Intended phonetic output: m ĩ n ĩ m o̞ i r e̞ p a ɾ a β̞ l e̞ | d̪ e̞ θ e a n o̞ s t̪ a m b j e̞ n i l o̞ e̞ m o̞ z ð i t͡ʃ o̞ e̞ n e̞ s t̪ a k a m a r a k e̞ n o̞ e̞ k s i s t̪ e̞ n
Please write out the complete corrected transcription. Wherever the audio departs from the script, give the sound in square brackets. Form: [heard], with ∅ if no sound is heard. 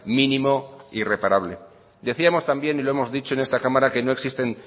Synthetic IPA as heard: m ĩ n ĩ m o̞ i r e̞ p a ɾ a β̞ l e̞ | d̪ e̞ θ [i] a [m] o̞ s t̪ a m b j e̞ n i l o̞ e̞ m o̞ z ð i t͡ʃ o̞ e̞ n e̞ s t̪ a k a m a [ɾ] a k e̞ n o̞ e̞ k s i s t̪ e̞ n